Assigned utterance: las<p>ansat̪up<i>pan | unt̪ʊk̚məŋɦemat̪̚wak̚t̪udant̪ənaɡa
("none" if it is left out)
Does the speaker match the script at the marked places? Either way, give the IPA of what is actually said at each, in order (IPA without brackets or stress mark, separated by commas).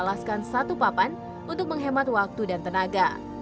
k, a